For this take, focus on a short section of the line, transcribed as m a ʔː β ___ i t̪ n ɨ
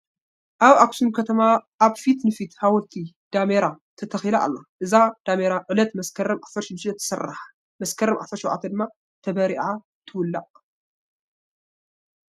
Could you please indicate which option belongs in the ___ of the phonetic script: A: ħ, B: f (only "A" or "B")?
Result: B